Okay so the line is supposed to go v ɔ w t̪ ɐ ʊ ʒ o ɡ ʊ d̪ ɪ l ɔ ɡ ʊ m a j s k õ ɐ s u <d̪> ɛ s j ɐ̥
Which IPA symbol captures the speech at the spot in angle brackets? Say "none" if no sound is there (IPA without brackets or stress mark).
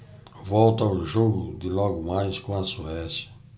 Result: none